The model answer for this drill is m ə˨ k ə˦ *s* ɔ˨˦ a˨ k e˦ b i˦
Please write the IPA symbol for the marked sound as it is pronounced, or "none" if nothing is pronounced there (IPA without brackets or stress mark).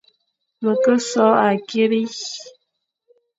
s